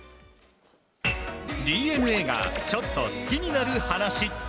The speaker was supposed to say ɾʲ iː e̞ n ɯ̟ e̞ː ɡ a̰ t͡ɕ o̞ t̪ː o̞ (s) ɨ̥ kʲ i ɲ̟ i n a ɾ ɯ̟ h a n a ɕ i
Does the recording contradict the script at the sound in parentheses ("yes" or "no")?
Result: no